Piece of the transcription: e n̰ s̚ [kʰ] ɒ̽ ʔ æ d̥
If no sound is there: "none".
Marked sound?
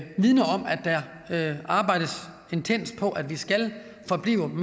pʰ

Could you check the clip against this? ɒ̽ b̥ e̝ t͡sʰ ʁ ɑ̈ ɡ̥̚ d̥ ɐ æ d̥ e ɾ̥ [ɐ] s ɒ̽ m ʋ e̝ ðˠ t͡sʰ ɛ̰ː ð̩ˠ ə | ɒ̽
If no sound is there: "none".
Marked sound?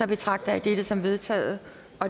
ə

